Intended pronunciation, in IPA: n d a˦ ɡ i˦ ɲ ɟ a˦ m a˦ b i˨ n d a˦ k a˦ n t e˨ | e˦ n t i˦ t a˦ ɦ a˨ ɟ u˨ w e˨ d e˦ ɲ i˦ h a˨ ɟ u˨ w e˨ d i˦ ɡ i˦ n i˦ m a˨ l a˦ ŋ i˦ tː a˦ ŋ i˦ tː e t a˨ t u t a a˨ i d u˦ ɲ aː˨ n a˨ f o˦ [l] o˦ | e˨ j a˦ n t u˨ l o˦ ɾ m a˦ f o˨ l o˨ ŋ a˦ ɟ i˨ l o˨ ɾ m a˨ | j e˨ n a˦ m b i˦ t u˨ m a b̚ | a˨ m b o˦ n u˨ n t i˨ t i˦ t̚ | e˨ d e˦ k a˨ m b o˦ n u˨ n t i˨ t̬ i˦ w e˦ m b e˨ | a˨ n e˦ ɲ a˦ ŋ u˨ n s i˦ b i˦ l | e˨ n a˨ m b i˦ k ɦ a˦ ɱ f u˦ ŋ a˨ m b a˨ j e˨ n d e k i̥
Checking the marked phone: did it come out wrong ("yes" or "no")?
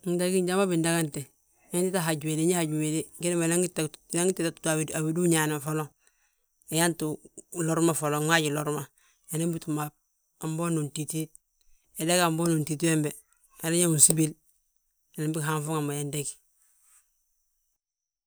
no